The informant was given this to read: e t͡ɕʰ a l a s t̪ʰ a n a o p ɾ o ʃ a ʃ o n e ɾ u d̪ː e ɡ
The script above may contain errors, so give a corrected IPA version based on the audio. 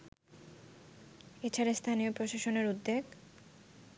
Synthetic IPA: e t͡ɕʰ a ɾ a s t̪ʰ a n i o p ɾ o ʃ a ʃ o n e ɾ u d̪ː e ɡ